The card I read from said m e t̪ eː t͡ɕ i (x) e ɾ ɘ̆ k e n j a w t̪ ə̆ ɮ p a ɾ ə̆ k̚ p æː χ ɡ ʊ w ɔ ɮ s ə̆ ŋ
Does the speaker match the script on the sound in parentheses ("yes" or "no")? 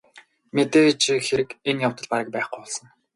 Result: yes